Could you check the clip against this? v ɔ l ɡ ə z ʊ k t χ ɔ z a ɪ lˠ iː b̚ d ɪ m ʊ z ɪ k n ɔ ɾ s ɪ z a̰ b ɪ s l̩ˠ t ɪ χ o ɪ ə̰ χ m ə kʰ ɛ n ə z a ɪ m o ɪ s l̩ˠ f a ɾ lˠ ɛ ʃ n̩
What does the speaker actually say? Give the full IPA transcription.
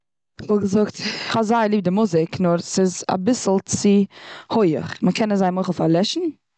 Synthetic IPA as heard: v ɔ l ɡ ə z ʊ k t χ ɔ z a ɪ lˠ iː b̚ d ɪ m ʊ z ɪ k n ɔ ɾ s ɪ z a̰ b ɪ s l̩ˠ t͡s ɪ h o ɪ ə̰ χ m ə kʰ ɛ n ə z a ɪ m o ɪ χ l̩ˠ f a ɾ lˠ ɛ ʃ n̩